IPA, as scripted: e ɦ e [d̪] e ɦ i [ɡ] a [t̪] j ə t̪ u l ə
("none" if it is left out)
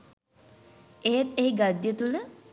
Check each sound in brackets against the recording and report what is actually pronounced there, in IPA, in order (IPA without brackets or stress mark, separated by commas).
t̪, ɡ, d̪